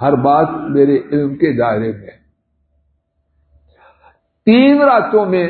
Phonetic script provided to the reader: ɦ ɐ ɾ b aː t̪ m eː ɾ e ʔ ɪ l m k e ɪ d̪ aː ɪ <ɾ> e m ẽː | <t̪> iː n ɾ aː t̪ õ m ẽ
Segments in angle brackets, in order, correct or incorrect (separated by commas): correct, correct